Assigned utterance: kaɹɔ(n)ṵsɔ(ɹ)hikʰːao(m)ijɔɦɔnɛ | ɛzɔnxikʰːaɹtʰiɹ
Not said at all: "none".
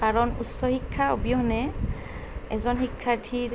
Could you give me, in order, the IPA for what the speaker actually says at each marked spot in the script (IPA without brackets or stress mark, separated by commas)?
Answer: n, none, b